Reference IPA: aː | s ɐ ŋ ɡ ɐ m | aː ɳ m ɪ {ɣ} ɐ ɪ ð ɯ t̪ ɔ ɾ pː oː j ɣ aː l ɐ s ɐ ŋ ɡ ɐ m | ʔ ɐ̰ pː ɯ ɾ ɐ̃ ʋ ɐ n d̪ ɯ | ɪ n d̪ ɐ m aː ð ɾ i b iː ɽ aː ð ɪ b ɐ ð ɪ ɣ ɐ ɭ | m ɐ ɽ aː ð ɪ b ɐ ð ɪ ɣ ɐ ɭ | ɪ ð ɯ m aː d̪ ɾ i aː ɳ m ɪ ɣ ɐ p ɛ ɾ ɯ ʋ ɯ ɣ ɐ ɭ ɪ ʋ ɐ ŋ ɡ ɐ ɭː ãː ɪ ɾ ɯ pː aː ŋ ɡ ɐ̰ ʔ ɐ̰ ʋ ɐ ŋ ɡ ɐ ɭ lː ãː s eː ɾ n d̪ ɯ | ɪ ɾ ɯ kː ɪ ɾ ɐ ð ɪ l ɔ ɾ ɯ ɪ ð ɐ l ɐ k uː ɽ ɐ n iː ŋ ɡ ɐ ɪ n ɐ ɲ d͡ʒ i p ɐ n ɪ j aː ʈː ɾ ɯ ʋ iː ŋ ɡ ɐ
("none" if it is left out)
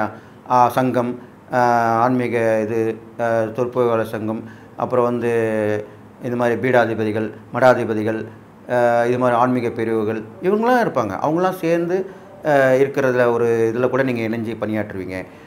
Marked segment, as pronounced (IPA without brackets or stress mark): ɣ